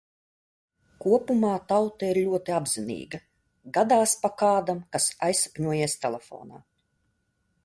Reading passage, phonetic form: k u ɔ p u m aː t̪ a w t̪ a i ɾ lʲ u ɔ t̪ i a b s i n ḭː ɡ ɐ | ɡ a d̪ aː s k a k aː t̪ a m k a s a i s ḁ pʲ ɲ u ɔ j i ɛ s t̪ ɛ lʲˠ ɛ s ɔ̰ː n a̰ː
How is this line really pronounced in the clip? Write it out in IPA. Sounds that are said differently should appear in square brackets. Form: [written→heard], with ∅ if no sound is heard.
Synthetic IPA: k u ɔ p u m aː t̪ a w t̪ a i ɾ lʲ u ɔ t̪ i a b [s→z] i n ḭː ɡ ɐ | ɡ a d̪ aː s [k→p] a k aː [t̪→d̪] a m k a s a [i→j] s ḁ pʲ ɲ u ɔ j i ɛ s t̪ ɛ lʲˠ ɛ [s→f] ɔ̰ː n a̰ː

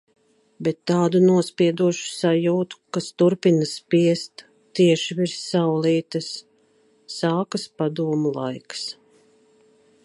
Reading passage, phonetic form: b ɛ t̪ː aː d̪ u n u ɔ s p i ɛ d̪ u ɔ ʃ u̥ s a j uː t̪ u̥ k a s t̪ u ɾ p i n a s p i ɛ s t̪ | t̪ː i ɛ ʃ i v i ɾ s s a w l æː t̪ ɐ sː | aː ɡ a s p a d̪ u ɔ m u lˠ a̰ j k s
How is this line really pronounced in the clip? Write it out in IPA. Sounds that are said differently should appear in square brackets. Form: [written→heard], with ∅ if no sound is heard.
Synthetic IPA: b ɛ t̪ː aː d̪ u n u ɔ s p i ɛ d̪ u ɔ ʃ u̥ s a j uː t̪ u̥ k a s t̪ u ɾ p i n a s p i ɛ s t̪ | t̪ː i ɛ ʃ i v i ɾ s s a w l [æː→iː] t̪ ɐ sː | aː [ɡ→k] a s p a d̪ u ɔ m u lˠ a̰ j k s

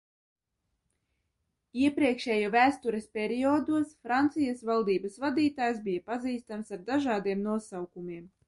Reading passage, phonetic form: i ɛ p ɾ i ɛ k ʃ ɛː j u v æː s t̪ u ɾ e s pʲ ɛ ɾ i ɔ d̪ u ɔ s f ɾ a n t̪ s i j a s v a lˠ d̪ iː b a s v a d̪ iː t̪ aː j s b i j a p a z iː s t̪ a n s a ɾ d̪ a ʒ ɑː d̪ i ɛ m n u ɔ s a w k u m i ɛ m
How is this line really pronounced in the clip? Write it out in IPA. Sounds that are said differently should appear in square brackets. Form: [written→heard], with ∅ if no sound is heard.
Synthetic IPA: i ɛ p ɾ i ɛ k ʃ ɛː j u v æː s t̪ u ɾ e s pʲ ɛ ɾ i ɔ d̪ u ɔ s f ɾ a n t̪ s i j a s v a lˠ d̪ iː b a s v a d̪ iː t̪ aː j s b i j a p a z iː s t̪ a [n→m] s a ɾ d̪ a ʒ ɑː d̪ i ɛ m n u ɔ s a w k u m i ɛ m

